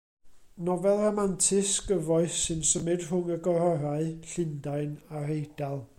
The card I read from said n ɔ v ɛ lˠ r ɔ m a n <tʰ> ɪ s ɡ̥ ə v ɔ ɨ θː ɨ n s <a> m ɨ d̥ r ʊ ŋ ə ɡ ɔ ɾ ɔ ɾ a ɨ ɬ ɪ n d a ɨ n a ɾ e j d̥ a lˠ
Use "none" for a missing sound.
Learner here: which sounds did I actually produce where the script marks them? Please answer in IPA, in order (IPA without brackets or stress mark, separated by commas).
tʰ, ə